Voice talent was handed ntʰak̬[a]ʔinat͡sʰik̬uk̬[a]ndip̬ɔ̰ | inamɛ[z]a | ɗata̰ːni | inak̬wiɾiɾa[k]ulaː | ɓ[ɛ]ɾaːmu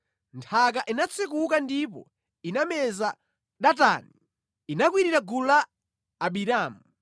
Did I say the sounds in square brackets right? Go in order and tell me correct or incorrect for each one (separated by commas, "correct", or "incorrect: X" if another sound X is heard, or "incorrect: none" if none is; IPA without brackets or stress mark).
correct, correct, correct, incorrect: ɡ, incorrect: i